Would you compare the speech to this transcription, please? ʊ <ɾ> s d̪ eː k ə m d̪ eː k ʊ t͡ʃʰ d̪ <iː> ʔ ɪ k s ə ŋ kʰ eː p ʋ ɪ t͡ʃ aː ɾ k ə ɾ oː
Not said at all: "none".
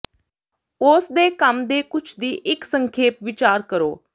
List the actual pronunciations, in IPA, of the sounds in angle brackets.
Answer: none, iː

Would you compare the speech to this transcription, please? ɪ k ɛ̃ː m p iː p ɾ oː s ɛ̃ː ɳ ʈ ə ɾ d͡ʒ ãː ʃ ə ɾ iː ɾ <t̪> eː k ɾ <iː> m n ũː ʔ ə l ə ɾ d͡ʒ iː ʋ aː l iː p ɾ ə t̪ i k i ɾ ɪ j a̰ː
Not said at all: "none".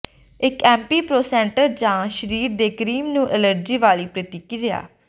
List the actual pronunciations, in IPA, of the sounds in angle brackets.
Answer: d̪, iː

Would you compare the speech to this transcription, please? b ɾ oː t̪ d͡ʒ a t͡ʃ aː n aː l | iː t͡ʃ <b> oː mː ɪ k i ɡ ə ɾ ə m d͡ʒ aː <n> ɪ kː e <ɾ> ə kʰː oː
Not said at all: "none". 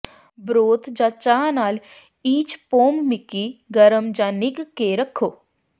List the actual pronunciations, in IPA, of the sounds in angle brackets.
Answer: p, n, ɾ

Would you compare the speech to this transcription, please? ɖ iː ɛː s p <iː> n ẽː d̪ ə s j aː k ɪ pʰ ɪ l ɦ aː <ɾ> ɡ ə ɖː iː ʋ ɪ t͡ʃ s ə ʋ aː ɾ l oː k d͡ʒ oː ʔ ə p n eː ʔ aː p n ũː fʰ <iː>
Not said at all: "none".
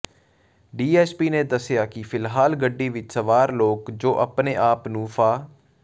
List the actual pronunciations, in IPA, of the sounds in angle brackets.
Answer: iː, l, aː

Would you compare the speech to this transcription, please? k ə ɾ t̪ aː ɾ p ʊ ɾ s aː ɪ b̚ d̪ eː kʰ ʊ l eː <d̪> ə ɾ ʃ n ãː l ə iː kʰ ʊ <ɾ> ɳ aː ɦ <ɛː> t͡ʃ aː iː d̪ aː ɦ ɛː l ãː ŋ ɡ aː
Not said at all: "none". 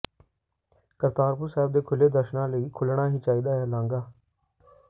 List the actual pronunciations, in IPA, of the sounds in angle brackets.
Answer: d̪, l, iː

